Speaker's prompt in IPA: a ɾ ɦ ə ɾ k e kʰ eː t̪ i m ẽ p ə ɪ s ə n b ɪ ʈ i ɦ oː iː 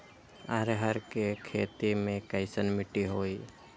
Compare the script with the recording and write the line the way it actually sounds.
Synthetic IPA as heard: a ɾ ɦ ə ɾ k e kʰ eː t̪ i m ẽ k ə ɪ s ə n m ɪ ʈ i ɦ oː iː